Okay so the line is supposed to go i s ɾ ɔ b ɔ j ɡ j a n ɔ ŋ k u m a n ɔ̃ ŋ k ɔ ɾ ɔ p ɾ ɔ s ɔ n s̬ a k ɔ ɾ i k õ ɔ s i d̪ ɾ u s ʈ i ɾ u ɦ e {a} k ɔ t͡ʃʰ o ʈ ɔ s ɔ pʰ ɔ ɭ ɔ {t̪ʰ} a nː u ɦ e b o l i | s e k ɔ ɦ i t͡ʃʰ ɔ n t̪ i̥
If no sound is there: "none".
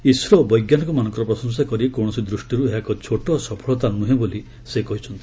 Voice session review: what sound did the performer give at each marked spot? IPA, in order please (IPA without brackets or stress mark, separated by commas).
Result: a, t̪